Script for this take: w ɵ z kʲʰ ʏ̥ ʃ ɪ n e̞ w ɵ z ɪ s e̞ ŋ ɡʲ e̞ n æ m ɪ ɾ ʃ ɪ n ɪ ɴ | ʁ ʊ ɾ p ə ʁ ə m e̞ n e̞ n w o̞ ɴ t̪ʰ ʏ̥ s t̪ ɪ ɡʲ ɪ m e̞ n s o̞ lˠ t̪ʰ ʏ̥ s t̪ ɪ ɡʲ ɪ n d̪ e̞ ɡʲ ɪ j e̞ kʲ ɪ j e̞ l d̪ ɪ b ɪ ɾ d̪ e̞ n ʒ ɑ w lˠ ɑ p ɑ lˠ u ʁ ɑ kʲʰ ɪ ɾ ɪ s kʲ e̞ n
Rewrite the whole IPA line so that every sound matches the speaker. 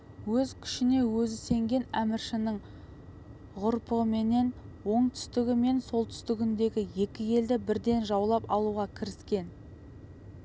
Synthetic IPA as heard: w ɵ z kʲʰ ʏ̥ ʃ ɪ n e̞ w ɵ z ɪ s e̞ ŋ ɡʲ e̞ n æ m ɪ ɾ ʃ ɪ n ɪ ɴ | ʁ ʊ ɾ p ə ʁ ə m e̞ n e̞ n w o̞ ɴ t̪ʰ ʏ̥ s t̪ ɪ ɡʲ ɪ m e̞ n s o̞ lˠ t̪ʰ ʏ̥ s t̪ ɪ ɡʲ ɪ n d̪ e̞ ɡʲ ɪ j e̞ kʲ ɪ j e̞ l d̪ ɪ b ɪ ɾ d̪ e̞ n ʒ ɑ w lˠ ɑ p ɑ lˠ u ʁ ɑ kʲʰ ɪ ɾ ɪ s kʲ e̞ n